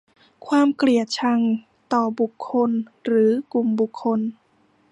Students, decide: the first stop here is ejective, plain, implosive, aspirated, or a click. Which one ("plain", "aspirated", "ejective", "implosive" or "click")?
aspirated